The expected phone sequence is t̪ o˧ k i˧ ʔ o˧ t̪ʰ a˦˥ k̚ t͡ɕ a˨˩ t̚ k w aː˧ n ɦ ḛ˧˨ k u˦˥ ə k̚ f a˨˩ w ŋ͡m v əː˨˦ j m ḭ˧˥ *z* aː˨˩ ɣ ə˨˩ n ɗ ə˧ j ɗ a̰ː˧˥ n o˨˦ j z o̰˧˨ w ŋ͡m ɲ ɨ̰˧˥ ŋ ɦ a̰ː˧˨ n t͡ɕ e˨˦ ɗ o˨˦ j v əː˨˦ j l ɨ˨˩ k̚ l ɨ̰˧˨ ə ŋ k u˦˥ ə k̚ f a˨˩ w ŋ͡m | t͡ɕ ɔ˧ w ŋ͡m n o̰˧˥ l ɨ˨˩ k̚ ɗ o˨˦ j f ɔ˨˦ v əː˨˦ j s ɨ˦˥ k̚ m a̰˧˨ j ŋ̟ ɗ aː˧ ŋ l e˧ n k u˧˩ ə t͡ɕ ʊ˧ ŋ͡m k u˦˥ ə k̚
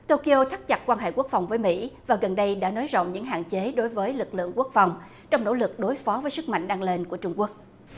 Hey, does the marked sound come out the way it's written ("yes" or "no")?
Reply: no